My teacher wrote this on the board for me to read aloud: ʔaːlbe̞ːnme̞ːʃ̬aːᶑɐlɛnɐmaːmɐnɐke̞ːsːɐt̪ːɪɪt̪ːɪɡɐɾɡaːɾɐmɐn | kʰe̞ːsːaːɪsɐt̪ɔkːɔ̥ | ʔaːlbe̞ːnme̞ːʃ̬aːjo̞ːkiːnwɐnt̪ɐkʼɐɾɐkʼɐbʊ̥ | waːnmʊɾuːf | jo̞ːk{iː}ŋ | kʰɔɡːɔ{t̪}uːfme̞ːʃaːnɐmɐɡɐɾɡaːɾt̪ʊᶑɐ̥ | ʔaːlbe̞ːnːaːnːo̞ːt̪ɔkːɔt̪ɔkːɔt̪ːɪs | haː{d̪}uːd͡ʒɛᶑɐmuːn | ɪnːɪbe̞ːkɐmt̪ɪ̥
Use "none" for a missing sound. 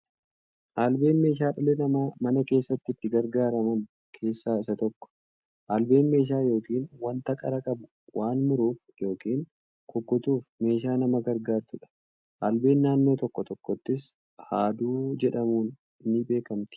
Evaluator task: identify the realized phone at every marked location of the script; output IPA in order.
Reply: iː, t̪, d̪

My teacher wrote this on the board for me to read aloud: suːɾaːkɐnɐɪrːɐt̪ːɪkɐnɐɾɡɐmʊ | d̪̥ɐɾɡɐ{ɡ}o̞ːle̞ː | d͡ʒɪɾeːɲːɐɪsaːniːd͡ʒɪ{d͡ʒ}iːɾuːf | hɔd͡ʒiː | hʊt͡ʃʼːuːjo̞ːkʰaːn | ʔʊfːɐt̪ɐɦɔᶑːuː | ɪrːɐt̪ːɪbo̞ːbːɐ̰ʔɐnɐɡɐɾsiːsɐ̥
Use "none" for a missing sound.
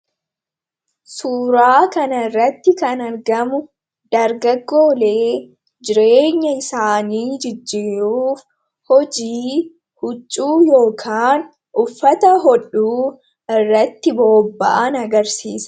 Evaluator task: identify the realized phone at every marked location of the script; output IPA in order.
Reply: ɡː, d͡ʒː

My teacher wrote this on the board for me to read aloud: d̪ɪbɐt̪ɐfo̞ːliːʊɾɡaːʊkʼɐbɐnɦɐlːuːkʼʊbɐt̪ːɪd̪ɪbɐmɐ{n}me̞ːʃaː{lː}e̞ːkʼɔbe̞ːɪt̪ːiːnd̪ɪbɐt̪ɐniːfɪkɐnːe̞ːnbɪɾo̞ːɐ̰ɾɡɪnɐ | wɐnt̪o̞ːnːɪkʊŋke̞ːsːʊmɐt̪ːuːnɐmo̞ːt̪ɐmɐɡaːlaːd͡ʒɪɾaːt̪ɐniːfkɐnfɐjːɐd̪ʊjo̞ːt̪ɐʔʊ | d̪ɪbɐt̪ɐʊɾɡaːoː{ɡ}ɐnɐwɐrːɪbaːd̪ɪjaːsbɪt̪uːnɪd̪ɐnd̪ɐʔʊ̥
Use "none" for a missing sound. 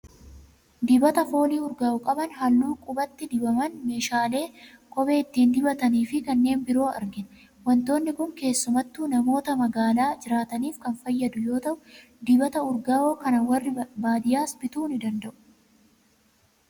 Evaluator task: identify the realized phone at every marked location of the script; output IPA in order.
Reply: n, l, k

